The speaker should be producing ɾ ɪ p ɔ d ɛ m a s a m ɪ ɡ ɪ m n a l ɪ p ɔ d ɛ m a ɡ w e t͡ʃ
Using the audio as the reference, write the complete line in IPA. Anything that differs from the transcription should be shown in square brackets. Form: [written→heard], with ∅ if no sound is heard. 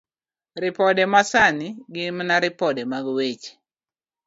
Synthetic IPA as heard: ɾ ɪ p ɔ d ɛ m a s a [m→n] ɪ ɡ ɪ m n a [l→ɾ] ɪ p ɔ d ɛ m a ɡ w e t͡ʃ